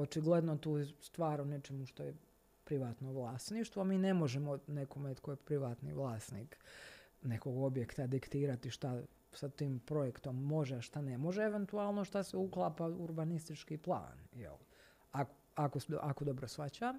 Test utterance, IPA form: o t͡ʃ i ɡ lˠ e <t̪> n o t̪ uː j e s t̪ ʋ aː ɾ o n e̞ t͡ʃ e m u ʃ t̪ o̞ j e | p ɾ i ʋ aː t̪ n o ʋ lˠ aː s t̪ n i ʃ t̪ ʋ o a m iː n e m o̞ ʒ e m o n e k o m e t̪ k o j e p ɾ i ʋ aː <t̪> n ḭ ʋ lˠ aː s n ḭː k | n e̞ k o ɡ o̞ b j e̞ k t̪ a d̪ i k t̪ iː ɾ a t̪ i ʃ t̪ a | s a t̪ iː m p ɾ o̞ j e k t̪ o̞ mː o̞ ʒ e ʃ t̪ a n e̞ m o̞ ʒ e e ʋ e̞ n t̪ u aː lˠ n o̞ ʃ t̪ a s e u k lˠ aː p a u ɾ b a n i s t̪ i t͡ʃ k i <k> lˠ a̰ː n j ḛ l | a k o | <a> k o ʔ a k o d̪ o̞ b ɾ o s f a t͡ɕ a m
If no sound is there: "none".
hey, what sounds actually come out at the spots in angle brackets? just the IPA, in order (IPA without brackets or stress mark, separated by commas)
d̪, t̪, p, a